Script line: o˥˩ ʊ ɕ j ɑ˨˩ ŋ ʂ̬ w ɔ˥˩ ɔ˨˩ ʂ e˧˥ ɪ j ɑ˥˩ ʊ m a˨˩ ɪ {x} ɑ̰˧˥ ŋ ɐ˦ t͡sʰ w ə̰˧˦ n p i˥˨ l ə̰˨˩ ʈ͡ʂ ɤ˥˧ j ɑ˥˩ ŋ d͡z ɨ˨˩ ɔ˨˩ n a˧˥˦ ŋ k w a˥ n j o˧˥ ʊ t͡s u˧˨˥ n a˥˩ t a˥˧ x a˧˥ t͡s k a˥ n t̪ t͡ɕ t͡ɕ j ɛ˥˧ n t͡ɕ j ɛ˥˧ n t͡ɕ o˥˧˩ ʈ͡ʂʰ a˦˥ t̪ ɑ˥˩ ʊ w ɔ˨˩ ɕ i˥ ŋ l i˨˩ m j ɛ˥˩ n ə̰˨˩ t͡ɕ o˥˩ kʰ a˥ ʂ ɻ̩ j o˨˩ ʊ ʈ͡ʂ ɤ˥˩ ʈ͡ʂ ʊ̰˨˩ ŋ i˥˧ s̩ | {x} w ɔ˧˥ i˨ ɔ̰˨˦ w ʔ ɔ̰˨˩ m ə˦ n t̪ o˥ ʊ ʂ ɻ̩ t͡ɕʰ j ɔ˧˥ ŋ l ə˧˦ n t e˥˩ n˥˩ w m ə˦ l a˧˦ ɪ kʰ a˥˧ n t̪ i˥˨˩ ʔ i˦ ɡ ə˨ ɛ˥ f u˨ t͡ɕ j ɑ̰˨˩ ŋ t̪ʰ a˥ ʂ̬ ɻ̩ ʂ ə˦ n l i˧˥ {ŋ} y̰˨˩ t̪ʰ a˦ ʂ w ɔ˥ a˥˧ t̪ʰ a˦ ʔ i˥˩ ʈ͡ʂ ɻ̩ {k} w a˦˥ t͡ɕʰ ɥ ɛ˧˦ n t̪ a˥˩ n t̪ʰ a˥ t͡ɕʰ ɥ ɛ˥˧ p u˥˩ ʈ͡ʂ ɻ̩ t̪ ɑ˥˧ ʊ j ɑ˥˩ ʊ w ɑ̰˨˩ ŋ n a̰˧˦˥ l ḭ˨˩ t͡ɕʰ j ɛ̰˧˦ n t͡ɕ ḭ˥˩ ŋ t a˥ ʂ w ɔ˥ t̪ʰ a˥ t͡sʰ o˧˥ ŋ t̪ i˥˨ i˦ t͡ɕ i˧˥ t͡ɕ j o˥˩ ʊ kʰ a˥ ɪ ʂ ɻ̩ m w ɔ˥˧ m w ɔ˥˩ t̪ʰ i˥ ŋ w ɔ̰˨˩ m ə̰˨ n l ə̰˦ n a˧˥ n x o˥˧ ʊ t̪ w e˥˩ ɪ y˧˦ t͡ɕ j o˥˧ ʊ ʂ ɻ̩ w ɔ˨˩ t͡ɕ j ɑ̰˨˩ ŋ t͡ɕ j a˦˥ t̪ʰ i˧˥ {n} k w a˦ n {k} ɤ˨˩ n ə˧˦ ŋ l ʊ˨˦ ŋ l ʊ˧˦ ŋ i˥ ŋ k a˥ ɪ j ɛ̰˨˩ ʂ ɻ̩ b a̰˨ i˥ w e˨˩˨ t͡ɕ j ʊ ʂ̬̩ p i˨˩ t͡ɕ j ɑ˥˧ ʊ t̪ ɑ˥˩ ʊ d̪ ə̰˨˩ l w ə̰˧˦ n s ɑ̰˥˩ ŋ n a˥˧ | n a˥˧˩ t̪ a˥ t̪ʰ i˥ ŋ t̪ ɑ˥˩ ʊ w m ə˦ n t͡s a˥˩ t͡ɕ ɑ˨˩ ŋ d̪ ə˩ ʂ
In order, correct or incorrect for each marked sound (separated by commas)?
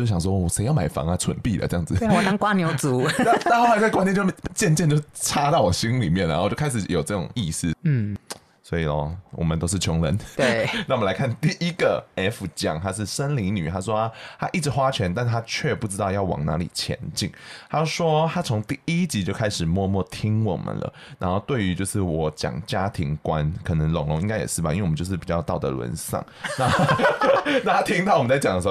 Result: incorrect, incorrect, incorrect, incorrect, incorrect, incorrect